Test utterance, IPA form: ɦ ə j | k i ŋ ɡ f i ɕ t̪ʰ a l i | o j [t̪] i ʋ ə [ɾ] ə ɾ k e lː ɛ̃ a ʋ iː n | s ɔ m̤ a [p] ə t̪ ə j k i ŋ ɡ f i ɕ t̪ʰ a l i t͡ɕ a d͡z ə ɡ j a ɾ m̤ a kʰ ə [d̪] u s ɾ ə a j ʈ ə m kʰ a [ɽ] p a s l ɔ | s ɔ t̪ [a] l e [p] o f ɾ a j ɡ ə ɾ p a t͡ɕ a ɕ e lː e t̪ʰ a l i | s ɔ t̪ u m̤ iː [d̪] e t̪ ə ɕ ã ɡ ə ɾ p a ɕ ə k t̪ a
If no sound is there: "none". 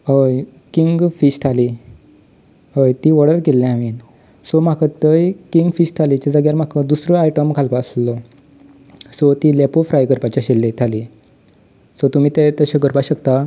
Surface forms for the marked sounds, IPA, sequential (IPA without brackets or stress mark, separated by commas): t̪, ɽ, k, d̪, l, i, p, t̪